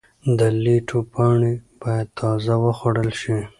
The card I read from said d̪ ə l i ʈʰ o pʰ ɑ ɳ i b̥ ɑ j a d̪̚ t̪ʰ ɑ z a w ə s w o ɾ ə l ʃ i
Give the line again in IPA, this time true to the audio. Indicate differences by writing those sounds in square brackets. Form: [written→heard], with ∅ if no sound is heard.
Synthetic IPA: d̪ ə l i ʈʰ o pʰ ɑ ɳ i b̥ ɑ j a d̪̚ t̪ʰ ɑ z a w ə [s→x] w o [ɾ→ɽ] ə l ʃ i